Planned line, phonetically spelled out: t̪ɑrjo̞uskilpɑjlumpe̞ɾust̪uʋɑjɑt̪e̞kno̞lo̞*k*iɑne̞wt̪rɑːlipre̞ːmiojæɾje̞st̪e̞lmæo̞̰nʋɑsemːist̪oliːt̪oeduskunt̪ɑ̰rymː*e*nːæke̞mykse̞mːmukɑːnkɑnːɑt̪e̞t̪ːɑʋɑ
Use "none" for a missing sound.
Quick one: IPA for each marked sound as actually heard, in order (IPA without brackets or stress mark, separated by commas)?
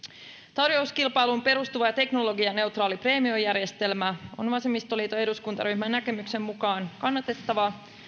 ɡ, æ